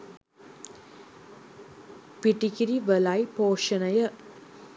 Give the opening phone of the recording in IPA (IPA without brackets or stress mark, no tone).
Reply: p